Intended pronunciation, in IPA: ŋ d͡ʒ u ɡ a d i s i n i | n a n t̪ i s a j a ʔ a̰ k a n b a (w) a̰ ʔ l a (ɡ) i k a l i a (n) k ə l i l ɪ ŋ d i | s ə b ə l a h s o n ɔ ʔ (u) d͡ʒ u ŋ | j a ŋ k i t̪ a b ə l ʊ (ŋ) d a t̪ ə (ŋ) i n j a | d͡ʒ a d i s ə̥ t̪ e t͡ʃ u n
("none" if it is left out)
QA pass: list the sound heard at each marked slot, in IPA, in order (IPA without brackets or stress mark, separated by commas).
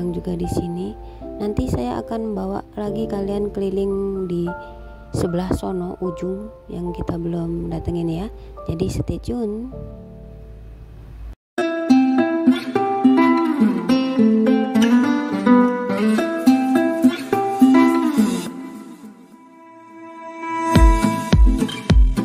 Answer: w, ɡ, n, u, m, ŋ